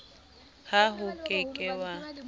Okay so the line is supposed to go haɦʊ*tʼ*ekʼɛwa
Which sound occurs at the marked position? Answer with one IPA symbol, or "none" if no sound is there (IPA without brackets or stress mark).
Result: kʼ